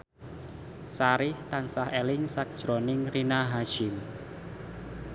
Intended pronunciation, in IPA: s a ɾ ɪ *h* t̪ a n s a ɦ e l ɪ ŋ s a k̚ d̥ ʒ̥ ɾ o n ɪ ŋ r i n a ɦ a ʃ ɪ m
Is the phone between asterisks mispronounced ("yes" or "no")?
no